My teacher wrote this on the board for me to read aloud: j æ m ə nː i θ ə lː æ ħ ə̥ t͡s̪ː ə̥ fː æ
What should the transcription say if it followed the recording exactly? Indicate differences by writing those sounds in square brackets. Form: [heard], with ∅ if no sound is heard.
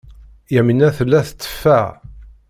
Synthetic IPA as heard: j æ m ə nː [æ] θ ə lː æ [θ] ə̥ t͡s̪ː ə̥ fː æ